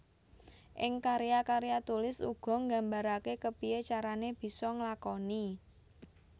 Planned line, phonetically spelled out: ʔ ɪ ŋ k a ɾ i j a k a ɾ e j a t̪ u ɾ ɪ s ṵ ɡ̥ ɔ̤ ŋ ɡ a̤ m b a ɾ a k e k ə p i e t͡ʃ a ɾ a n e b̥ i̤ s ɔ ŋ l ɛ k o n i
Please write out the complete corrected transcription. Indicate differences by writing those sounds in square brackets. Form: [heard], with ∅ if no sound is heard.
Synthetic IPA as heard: ʔ ɪ ŋ k a ɾ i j a k a ɾ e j a t̪ u [l] ɪ s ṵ ɡ̥ ɔ̤ ŋ ɡ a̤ m b a ɾ a k e k ə p i e t͡ʃ a ɾ a n e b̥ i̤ s ɔ ŋ l [a] k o n i